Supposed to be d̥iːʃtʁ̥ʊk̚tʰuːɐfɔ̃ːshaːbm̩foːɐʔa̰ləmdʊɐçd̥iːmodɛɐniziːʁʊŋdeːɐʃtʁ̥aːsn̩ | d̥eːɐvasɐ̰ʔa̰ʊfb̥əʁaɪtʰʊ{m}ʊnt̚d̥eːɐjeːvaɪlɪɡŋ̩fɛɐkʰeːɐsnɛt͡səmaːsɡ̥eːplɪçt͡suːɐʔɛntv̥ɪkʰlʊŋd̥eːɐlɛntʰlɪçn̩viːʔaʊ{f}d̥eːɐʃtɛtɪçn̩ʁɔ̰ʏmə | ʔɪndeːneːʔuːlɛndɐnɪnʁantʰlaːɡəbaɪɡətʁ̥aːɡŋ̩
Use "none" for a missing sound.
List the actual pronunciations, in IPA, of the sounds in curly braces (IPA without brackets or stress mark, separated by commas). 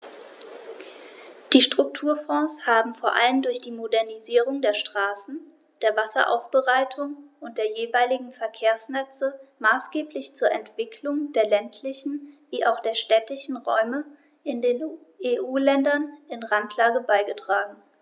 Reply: ŋ, x